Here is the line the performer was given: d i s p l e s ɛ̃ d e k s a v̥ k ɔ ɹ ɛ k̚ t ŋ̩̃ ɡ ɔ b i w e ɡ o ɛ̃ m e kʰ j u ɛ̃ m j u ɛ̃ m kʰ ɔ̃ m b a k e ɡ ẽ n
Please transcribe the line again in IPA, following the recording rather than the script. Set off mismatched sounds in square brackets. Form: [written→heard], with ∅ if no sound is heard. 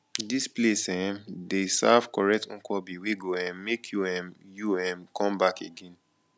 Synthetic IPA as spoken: d i s p l e s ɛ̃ d e [k→∅] s a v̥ k ɔ ɹ ɛ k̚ t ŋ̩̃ [ɡ→k] ɔ b i w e ɡ o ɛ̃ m e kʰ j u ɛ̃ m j u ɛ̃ m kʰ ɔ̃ m b a k e ɡ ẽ n